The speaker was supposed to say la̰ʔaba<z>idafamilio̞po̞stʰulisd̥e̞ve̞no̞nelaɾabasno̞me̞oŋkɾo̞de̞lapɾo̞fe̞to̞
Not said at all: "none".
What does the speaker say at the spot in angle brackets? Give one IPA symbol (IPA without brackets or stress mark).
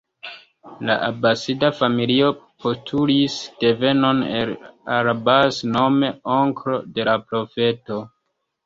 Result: s